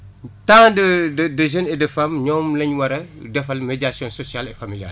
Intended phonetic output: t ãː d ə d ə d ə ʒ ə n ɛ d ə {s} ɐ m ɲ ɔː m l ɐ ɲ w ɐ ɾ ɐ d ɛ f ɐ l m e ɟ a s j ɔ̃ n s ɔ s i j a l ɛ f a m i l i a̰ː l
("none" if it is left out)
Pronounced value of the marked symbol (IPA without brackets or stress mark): f